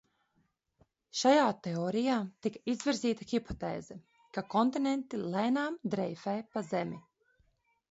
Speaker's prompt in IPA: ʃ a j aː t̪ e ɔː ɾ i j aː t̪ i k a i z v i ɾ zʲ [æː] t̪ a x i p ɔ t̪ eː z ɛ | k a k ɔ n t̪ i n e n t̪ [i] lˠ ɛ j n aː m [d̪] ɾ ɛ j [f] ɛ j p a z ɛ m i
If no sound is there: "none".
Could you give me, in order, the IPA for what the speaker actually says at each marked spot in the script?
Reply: iː, i, d̪, f

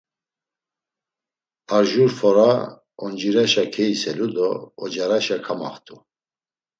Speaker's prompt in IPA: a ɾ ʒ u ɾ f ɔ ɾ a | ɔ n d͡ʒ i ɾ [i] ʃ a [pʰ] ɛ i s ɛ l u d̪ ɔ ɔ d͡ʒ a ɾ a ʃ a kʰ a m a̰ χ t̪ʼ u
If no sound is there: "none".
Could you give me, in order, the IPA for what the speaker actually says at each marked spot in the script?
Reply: a, kʰ

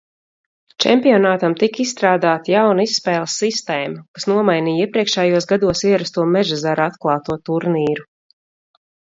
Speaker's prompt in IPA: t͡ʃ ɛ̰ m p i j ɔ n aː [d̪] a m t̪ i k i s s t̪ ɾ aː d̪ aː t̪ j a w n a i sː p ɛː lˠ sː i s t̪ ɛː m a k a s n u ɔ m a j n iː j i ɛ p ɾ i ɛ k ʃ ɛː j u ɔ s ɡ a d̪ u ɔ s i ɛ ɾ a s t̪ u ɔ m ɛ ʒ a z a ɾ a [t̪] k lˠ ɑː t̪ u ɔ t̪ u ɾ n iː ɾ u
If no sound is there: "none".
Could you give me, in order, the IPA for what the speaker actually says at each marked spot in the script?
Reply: t̪, t̪

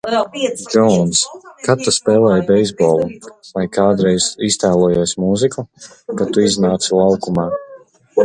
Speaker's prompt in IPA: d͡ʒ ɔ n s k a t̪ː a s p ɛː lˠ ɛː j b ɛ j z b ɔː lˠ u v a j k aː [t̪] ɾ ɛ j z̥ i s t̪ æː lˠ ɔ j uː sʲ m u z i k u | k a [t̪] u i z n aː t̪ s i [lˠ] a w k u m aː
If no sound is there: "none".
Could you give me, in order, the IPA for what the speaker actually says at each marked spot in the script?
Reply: d̪, t̪, lˠ

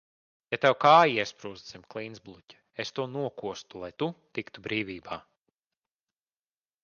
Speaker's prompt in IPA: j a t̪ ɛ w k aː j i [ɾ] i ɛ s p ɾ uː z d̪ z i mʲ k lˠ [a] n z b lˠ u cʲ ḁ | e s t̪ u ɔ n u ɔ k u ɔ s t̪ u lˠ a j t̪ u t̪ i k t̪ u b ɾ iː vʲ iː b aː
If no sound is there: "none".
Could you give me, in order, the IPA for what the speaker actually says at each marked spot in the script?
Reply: none, i

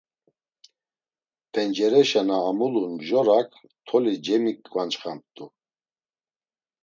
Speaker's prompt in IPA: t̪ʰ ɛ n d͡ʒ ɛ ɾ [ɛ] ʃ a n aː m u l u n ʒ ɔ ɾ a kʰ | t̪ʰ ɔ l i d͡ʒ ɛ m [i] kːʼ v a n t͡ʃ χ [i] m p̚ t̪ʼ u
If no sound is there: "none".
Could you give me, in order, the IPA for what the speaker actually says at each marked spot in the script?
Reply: ɛ, i, a

